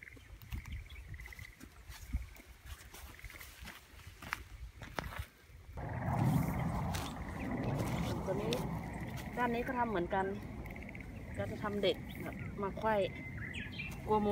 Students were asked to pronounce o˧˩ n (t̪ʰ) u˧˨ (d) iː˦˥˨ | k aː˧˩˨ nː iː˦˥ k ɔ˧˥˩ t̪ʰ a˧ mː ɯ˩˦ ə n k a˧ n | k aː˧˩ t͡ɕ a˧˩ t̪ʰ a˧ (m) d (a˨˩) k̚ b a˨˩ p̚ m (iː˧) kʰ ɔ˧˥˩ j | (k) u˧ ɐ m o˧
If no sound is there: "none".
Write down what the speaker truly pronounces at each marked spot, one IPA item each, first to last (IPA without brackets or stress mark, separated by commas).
t̪, n, m, e˨˩, aː˧, k